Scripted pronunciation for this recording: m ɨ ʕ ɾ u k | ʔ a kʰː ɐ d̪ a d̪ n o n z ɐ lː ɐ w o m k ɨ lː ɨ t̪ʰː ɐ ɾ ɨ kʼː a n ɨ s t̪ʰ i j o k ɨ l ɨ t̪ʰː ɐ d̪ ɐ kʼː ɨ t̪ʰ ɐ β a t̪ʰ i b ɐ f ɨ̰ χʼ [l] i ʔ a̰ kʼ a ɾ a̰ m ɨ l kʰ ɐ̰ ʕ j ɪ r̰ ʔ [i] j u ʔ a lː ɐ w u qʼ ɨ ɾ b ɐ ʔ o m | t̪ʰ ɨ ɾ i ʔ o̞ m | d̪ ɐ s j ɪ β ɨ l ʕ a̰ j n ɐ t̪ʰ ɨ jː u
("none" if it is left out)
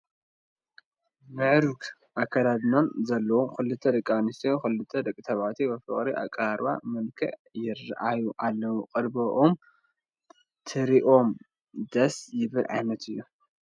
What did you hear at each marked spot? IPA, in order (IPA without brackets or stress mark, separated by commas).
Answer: ɾ, a